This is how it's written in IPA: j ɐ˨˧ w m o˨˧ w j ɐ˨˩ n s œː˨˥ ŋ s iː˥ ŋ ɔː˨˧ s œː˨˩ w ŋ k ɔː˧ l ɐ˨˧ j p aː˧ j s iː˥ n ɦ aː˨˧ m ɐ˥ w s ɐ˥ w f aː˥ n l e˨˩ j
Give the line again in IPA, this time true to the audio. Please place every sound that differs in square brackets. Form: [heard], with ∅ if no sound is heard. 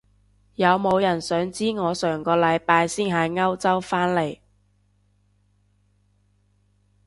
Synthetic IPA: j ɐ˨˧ w m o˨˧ w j ɐ˨˩ n s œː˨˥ ŋ [t͡s] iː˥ ŋ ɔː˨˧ s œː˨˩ [∅] ŋ k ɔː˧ l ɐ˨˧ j p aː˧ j s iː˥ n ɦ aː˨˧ [ŋ] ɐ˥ w [t͡s] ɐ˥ w f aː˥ n l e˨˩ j